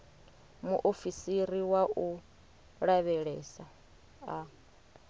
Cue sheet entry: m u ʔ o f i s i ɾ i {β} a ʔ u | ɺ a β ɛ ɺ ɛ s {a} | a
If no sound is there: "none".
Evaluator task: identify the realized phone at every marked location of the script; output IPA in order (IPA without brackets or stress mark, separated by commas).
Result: w, a